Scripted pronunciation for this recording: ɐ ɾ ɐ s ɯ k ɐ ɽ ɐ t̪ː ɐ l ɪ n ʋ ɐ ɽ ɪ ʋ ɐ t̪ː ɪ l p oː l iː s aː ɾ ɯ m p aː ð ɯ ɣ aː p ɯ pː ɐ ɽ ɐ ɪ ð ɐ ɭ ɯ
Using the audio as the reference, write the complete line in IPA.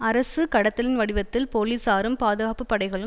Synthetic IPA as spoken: ɐ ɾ ɐ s ɯ k ɐ ɽ ɐ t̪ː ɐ l ɪ n ʋ ɐ ɽ ɪ ʋ ɐ t̪ː ɪ l p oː l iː s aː ɾ ɯ m p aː ð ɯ ɣ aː p ɯ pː ɐ ɽ ɐ ɪ ɣ ɐ ɭ ɯ